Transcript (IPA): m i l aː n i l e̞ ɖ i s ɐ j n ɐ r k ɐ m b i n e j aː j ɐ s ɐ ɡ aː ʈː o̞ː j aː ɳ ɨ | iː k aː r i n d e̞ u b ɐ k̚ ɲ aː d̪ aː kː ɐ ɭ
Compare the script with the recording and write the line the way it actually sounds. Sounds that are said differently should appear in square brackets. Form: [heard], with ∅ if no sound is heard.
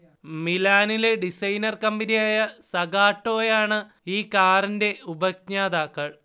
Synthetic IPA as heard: m i l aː n i l e̞ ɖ i s ɐ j n ɐ r k ɐ m b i n [i] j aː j ɐ s ɐ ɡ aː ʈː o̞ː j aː ɳ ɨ | iː k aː r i n d e̞ u b ɐ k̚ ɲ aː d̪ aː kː ɐ ɭ